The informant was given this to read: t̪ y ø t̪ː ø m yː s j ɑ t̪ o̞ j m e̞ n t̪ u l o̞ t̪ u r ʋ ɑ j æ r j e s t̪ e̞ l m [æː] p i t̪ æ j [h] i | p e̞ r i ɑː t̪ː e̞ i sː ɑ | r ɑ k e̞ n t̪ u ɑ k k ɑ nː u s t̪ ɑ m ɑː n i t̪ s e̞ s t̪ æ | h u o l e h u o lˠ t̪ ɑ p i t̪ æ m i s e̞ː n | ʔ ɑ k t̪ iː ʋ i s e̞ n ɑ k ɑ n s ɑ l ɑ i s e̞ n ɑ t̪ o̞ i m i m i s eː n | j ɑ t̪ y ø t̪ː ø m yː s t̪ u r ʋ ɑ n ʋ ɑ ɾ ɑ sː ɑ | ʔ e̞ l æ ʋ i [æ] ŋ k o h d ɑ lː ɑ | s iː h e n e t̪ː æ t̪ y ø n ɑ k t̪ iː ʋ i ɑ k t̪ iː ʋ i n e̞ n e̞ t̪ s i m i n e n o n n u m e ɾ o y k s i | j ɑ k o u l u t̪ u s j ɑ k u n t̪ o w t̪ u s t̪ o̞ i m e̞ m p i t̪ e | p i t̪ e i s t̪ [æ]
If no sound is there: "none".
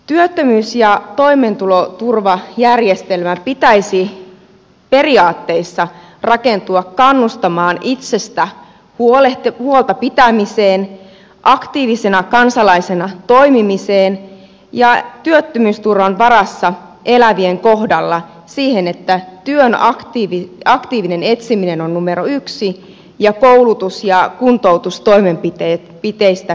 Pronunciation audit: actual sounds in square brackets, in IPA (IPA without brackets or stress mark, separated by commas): æ, s, e, æ